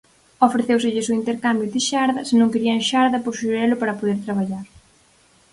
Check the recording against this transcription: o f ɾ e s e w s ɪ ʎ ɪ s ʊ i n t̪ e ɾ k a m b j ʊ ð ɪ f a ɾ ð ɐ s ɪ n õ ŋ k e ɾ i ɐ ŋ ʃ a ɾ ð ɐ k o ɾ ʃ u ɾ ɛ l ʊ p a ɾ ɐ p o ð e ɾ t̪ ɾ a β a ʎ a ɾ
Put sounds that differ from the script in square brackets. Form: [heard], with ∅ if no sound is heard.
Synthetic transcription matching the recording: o f ɾ e [θ] e w s ɪ ʎ ɪ s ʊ i n t̪ e ɾ k a m b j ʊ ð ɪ [ʃ] a ɾ ð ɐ s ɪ n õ ŋ k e ɾ i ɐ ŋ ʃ a ɾ ð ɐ [p] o ɾ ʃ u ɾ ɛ l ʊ p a ɾ ɐ p o ð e ɾ t̪ ɾ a β a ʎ a ɾ